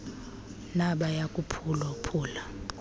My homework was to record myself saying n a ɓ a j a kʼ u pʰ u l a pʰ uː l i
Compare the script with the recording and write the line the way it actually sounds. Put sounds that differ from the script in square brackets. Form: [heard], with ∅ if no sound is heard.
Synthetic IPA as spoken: n a ɓ a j a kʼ u pʰ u l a pʰ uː l [a]